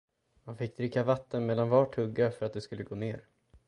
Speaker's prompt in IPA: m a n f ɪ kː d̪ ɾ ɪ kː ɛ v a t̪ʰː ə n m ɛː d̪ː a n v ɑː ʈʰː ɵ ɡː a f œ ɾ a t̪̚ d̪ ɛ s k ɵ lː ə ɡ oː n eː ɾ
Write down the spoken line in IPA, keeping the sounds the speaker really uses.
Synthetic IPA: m a n f ɪ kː d̪ ɾ ɪ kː a v a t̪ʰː ə n m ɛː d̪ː a n v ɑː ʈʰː ɵ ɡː a f œ ɾ a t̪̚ d̪ ɛ s k ɵ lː ə ɡ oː n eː ɾ